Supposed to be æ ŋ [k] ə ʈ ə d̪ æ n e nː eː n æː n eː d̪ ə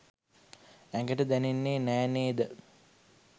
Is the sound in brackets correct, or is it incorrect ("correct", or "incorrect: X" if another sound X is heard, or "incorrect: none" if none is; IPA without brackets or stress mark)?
incorrect: ɡ